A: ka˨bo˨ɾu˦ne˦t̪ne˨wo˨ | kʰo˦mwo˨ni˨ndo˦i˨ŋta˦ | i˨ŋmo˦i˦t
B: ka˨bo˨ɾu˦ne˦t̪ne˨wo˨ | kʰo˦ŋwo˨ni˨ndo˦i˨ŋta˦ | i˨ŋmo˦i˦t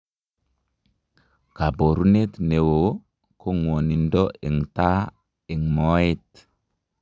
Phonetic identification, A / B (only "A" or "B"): B